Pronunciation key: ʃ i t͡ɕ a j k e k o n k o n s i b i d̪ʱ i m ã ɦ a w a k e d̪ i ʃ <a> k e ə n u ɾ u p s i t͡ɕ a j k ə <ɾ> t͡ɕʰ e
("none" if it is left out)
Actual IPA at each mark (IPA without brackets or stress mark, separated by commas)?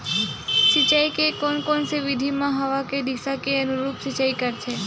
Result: a, ɾ